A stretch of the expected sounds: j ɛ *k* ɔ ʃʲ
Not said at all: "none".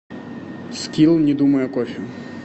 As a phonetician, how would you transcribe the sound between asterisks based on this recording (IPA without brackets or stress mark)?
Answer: k